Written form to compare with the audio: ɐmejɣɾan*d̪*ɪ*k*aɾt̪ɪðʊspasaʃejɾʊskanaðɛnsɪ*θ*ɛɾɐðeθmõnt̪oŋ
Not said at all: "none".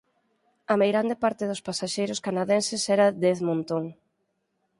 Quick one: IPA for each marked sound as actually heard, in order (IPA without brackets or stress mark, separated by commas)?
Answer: d̪, p, s